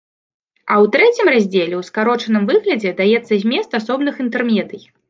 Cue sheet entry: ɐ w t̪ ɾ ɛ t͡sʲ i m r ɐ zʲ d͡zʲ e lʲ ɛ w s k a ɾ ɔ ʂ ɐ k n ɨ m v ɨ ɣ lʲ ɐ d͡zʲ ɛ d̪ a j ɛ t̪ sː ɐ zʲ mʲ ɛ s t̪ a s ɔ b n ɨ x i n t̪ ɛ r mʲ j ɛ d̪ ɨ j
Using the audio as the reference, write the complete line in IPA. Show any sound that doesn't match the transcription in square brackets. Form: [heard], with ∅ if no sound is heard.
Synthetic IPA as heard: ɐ w t̪ ɾ ɛ t͡sʲ i m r [a] zʲ d͡zʲ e lʲ ɛ w s k a ɾ ɔ [t͡ʂ] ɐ [∅] n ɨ m v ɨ ɣ lʲ ɐ d͡zʲ ɛ d̪ a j ɛ t̪ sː ɐ zʲ mʲ ɛ s t̪ a s ɔ b n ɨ x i n t̪ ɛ r mʲ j ɛ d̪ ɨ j